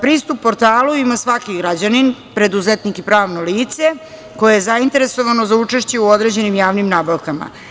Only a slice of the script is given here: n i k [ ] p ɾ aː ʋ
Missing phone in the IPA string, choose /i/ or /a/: i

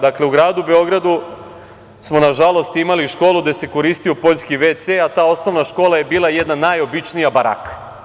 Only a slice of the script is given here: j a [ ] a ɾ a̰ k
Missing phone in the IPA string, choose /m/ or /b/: b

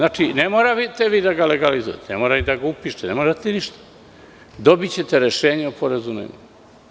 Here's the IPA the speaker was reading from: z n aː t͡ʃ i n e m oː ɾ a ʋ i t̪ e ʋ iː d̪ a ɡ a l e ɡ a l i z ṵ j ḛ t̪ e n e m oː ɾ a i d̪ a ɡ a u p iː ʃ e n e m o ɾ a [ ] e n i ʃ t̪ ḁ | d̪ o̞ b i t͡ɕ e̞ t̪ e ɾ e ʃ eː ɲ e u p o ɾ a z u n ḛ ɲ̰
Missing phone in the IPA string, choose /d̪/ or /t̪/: t̪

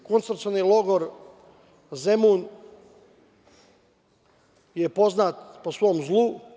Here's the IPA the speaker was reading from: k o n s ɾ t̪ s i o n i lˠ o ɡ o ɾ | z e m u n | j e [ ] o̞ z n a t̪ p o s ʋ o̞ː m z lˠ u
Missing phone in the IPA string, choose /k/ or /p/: p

